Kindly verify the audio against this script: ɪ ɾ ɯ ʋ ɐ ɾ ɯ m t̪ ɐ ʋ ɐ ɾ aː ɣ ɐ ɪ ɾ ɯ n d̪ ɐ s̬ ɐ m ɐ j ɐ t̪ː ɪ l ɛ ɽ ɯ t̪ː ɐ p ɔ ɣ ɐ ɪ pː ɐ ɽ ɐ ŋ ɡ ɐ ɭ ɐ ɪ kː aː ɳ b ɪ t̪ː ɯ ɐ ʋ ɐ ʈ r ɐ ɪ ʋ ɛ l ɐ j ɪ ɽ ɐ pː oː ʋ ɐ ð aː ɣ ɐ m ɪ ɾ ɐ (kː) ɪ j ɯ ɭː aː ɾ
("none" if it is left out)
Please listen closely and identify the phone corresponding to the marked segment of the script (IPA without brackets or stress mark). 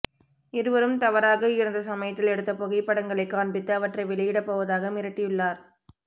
ʈː